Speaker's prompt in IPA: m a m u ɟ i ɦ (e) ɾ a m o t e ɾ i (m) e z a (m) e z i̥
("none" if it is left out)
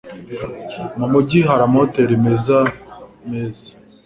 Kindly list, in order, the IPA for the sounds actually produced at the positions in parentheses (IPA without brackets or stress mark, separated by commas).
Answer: a, m, m